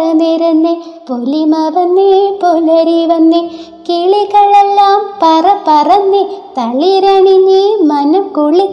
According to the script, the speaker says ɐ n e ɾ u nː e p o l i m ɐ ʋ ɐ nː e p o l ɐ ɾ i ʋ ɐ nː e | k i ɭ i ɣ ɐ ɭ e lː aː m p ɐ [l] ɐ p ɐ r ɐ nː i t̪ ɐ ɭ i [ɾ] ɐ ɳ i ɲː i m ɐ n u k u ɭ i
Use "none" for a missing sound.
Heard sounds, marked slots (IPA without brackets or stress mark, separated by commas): r, ɾ